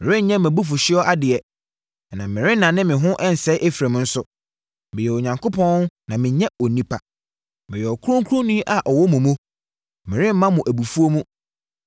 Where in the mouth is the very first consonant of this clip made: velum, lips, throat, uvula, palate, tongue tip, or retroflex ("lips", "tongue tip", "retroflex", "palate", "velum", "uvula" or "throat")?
lips